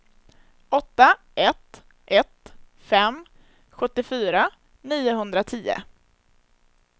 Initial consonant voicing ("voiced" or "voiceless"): voiceless